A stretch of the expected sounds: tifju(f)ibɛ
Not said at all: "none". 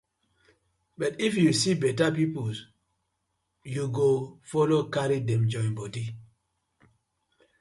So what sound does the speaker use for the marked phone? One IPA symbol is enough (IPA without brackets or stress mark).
s